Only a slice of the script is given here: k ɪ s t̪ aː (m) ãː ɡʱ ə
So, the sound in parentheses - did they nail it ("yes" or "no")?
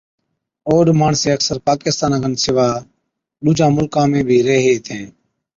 no